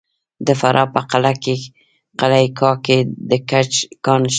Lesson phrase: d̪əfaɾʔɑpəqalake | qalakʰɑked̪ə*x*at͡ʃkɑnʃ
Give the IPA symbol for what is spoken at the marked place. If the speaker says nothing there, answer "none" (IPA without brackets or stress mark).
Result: k